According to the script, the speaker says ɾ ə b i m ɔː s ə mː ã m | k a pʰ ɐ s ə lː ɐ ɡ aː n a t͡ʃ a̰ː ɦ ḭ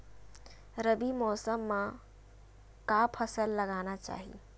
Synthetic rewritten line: ɾ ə b i m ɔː s ə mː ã | k a pʰ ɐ s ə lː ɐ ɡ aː n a t͡ʃ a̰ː ɦ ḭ